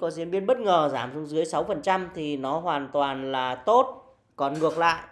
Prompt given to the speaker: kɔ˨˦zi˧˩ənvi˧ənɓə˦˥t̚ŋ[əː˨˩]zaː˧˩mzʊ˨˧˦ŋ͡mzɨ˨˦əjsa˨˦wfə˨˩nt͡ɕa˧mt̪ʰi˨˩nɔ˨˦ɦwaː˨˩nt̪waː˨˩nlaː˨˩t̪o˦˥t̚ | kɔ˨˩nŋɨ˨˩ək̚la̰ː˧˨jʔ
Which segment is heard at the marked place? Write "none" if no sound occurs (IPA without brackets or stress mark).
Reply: əː˨˩